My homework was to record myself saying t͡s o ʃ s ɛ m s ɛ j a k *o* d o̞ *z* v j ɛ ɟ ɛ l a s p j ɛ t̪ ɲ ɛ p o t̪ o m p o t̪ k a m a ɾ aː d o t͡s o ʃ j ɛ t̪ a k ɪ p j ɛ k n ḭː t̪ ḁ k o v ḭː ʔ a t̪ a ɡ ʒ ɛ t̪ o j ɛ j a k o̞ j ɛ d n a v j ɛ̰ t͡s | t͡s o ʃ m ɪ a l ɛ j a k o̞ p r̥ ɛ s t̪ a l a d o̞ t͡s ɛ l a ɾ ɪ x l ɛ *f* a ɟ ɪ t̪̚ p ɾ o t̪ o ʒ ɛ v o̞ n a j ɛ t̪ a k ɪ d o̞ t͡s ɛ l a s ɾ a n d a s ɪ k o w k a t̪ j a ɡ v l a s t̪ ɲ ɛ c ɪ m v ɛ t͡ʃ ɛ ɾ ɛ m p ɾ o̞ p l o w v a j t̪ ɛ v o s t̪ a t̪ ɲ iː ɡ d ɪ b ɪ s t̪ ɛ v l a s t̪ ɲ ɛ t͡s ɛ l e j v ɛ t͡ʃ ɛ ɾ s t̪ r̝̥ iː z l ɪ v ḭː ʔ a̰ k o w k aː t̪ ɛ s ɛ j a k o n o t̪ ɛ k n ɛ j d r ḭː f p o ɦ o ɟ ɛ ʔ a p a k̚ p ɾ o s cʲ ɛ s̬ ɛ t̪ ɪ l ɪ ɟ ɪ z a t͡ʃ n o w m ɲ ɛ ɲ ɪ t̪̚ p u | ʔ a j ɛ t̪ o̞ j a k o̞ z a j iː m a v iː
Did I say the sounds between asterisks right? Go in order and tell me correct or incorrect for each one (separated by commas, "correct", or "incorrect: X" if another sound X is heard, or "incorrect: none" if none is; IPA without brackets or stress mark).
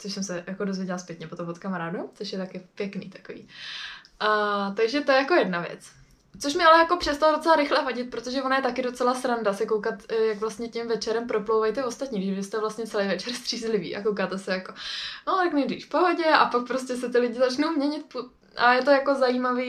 correct, correct, incorrect: v